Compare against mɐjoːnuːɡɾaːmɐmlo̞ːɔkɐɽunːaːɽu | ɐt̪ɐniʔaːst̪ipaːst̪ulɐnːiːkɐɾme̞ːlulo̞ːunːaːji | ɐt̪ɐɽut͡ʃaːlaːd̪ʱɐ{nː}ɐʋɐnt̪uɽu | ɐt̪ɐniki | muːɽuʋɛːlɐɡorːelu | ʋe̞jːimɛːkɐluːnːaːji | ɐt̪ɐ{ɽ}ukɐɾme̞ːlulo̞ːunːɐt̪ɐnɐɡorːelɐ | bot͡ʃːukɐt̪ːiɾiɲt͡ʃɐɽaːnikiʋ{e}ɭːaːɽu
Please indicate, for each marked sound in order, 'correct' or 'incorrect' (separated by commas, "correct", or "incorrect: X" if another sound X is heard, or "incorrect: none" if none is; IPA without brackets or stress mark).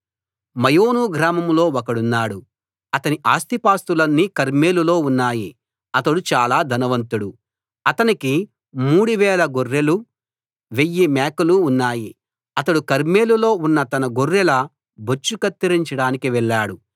incorrect: n, correct, incorrect: ɛ